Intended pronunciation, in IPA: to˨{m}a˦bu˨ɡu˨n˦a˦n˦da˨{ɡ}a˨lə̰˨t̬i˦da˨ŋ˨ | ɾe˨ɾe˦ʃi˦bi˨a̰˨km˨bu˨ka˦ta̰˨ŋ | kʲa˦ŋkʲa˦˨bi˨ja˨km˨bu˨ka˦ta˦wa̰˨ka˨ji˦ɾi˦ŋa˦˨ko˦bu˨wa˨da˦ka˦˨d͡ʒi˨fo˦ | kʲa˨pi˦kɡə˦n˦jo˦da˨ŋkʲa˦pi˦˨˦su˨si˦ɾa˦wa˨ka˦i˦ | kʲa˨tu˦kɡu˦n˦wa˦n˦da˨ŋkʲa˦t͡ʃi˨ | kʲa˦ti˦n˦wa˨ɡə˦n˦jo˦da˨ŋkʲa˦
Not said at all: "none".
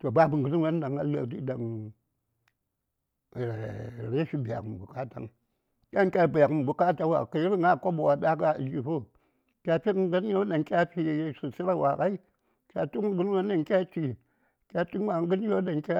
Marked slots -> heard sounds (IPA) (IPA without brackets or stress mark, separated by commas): b, ŋ